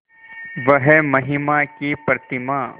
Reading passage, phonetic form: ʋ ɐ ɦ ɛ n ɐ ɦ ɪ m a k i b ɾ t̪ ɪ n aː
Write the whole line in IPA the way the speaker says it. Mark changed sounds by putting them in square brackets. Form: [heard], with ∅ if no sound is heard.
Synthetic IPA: ʋ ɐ ɦ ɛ [m] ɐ ɦ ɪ m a k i [p] ɾ t̪ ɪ [m] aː

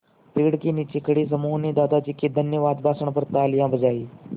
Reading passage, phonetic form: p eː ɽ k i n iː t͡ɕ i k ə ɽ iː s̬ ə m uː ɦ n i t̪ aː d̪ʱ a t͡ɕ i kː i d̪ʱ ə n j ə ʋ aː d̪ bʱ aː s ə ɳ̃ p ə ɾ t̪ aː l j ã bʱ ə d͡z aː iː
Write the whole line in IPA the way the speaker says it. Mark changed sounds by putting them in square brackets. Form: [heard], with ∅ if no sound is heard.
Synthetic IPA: p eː ɽ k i n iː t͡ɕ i k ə ɽ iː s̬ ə m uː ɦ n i [d̪] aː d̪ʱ a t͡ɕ i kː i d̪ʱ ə n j ə ʋ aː d̪ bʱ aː s ə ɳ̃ p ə ɾ t̪ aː l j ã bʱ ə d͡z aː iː

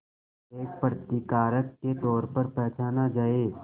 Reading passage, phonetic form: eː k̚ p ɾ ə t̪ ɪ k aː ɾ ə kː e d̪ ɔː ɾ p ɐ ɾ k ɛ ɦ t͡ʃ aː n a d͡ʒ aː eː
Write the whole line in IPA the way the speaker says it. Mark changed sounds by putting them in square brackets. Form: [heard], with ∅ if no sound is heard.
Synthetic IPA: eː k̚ p ɾ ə t̪ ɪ k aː ɾ ə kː e [t̪] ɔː ɾ p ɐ ɾ [p] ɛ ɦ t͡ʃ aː n a d͡ʒ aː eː

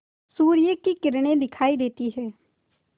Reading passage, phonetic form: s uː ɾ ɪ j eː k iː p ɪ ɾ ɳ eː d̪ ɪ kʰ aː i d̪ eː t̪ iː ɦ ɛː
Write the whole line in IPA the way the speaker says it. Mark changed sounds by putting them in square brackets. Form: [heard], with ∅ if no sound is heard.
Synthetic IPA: s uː ɾ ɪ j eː k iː [k] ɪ ɾ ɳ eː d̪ ɪ kʰ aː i d̪ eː t̪ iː ɦ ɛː

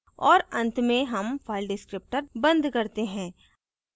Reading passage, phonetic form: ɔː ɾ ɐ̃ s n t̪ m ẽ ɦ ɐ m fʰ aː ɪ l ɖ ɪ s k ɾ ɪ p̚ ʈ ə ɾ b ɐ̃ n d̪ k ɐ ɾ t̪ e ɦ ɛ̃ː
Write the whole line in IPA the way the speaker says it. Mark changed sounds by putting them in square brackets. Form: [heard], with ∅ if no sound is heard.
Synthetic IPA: ɔː ɾ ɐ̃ [∅] n t̪ m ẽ ɦ ɐ m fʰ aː ɪ l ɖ ɪ s k ɾ ɪ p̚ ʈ ə ɾ b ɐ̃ n d̪ k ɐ ɾ t̪ e ɦ ɛ̃ː

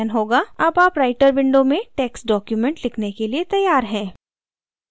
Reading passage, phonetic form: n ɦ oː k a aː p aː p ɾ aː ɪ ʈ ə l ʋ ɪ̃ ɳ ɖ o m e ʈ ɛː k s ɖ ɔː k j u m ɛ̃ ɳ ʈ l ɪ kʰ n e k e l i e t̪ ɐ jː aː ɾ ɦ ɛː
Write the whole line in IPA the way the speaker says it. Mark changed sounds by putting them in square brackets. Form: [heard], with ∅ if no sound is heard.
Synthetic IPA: n ɦ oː [ɡ] a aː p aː p ɾ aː ɪ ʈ ə [ɾ] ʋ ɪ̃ ɳ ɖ o m [ẽ] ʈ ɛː k s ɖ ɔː k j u m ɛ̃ ɳ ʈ l ɪ kʰ n e k e l i e t̪ ɐ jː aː ɾ ɦ [ɛ̃ː]

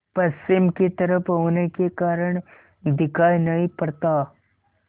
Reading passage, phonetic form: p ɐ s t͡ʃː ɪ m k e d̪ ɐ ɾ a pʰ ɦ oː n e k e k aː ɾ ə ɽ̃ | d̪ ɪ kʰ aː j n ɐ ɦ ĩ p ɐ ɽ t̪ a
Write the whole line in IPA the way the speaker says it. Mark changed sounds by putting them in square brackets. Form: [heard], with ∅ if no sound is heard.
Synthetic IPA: p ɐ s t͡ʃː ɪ m k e [t̪] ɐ ɾ [ə] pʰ ɦ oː n e k e k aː ɾ ə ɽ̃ | d̪ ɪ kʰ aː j n ɐ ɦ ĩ p ɐ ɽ t̪ a

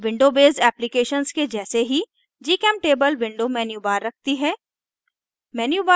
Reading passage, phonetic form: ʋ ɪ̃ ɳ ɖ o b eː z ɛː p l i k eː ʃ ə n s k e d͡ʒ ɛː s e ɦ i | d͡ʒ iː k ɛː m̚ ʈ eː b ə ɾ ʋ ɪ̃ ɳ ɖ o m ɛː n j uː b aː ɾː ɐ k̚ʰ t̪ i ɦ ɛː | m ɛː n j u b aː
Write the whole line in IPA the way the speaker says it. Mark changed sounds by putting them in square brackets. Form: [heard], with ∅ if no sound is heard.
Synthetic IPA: ʋ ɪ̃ ɳ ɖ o b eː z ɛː p l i k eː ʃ ə n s k e d͡ʒ ɛː s e ɦ i | d͡ʒ iː k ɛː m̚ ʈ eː b ə [l] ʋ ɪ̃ ɳ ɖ o m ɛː n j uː b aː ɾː ɐ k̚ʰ t̪ i ɦ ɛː | m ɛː n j u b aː

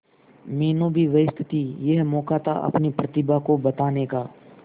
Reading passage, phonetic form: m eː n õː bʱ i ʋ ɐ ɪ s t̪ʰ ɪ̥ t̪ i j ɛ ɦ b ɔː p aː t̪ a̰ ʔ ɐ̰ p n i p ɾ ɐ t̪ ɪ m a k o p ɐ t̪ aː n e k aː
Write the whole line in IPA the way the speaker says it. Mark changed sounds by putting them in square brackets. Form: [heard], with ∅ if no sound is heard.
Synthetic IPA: m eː n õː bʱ i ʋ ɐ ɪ s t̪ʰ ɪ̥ t̪ i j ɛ ɦ [m] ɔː [k] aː t̪ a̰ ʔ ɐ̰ p n i p ɾ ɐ t̪ ɪ [b] a k o [b] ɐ t̪ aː n e k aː

